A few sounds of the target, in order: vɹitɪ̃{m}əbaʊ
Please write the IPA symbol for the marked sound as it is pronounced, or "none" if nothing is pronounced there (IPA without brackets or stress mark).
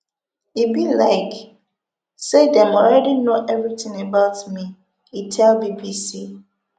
ŋ